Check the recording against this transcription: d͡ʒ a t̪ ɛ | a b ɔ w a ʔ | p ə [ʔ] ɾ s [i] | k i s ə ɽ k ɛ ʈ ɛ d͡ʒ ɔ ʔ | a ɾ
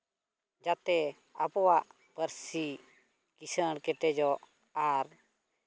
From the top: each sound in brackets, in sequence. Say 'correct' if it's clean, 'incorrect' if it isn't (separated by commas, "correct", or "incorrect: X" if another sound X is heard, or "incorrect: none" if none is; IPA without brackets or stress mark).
incorrect: none, correct